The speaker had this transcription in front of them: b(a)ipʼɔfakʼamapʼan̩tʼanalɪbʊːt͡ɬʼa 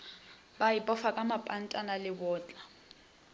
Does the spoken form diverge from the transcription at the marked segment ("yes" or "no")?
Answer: no